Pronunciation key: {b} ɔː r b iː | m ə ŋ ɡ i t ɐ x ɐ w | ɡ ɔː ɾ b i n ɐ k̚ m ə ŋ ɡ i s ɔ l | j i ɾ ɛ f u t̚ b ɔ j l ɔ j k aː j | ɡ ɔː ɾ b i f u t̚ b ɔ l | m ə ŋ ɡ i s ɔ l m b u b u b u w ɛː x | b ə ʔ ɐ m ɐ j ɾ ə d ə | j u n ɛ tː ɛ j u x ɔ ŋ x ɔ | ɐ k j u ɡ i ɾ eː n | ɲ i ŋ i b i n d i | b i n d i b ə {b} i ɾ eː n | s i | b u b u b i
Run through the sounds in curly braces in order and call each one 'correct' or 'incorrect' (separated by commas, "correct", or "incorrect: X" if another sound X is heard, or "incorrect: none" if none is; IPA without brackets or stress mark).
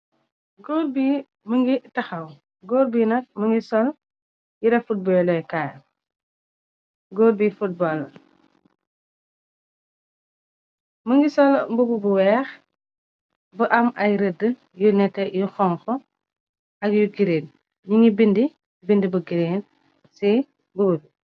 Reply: incorrect: ɡ, incorrect: ɡ